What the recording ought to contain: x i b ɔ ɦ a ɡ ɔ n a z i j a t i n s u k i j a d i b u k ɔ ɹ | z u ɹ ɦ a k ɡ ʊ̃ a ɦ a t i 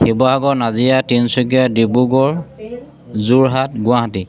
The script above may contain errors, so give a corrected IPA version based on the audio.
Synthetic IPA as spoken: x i b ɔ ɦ a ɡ ɔ n a z i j a t i n s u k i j a d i b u ɡ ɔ ɹ | z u ɹ ɦ a t ɡ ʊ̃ a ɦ a t i

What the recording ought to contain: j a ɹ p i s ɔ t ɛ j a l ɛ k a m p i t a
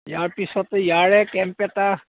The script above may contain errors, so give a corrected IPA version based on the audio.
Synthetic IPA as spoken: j a ɹ p i s ɔ t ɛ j a ɹ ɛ k ɛ m p ɛ t a

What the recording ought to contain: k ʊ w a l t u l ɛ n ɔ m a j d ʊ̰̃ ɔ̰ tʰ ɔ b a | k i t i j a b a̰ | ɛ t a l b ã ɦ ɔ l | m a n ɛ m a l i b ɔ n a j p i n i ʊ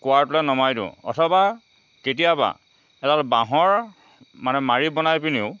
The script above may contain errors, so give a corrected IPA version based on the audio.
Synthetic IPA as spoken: k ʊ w a ɹ t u l ɛ n ɔ m a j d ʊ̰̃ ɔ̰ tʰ ɔ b a | k e t i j a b a̰ | ɛ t a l b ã ɦ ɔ ɹ | m a n ɛ m a ɹ i b ɔ n a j p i n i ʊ

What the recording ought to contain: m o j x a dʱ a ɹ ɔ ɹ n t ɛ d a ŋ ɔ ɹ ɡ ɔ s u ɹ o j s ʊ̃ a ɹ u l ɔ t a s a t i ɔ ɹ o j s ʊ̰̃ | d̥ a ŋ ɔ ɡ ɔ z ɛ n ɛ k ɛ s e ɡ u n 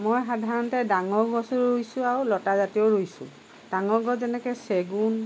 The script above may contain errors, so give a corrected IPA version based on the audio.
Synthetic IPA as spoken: m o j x a dʱ a ɹ ɔ n t ɛ d a ŋ ɔ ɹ ɡ ɔ s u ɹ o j s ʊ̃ a ɹ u l ɔ t a z a t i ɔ ɹ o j s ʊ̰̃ | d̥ a ŋ ɔ ɡ ɔ z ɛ n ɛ k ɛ s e ɡ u n

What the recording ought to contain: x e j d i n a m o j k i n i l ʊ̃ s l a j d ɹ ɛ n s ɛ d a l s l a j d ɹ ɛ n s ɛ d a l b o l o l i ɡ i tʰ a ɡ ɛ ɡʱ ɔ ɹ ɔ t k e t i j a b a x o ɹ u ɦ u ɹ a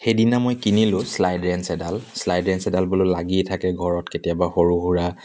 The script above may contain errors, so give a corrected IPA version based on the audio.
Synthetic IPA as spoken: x e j d i n a m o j k i n i l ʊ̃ s l a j d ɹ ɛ n s ɛ d a l s l a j d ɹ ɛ n s ɛ d a l b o l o l a ɡ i tʰ a k ɛ ɡʱ ɔ ɹ ɔ t k e t i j a b a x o ɹ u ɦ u ɹ a

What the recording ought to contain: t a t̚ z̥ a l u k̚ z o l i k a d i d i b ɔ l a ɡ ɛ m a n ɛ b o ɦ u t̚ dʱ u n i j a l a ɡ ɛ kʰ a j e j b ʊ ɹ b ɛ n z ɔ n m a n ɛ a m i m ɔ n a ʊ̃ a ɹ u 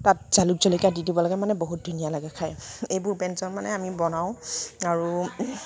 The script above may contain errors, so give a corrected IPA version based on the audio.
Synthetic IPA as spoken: t a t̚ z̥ a l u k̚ z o l i k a d i d i b ɔ l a ɡ ɛ m a n ɛ b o ɦ u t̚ dʱ u n i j a l a ɡ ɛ kʰ a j e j b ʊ ɹ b ɛ n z ɔ n m a n ɛ a m i b ɔ n a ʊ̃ a ɹ u

